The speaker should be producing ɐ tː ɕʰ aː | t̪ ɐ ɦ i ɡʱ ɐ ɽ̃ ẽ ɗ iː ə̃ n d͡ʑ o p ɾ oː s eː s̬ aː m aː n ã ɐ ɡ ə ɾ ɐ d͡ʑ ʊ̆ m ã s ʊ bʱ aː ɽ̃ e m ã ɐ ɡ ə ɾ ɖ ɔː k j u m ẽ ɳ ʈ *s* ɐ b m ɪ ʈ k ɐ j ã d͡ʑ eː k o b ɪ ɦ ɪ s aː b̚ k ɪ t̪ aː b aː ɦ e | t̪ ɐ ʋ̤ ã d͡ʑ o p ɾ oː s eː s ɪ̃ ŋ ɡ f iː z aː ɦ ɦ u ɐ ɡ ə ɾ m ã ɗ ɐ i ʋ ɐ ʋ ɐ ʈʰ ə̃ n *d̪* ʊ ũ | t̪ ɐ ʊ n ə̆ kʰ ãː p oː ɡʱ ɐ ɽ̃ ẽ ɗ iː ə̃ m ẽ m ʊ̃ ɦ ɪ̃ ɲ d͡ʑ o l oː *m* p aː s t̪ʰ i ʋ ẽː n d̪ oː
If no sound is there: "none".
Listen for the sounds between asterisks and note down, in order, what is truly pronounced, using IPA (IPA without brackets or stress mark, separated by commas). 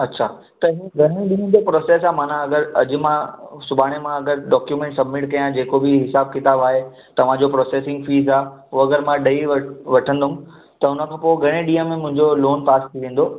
s, d̪, n